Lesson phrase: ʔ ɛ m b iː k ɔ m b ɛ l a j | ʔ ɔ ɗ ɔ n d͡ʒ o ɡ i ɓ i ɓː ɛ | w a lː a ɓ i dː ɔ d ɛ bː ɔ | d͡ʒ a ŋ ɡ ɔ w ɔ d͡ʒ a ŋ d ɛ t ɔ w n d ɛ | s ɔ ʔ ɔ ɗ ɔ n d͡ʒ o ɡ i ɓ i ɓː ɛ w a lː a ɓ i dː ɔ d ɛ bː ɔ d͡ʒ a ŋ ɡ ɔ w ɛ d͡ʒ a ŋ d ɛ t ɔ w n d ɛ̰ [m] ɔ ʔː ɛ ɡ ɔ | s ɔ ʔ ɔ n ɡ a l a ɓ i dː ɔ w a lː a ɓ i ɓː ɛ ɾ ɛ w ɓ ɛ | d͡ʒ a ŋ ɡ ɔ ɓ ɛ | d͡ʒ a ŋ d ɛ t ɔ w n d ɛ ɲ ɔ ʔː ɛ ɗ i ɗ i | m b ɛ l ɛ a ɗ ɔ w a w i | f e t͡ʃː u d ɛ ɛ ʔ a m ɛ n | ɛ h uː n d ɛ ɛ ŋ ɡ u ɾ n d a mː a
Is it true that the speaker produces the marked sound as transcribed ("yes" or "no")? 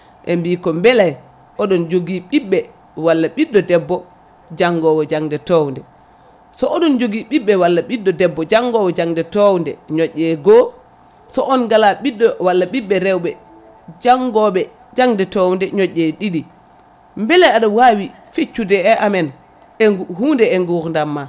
no